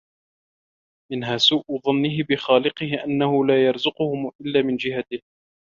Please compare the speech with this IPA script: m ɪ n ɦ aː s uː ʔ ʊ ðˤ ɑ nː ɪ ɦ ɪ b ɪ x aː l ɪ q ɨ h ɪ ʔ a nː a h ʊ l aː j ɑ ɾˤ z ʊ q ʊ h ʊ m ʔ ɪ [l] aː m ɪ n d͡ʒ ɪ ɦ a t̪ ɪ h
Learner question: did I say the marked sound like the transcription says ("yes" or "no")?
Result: no